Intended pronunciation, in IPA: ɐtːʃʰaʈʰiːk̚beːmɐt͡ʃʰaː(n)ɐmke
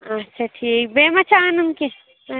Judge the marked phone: correct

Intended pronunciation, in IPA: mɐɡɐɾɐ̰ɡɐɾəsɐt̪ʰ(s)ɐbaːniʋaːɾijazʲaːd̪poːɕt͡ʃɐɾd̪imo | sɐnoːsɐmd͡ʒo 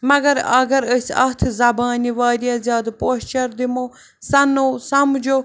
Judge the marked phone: incorrect: z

